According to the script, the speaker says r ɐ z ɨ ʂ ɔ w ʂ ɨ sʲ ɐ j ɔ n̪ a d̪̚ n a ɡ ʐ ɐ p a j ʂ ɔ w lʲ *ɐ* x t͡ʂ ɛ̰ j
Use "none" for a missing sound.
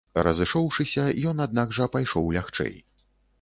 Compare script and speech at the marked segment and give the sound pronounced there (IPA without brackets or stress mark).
a